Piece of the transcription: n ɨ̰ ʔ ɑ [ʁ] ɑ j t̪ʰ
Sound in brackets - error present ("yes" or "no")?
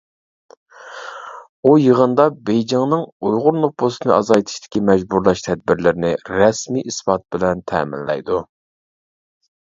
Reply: yes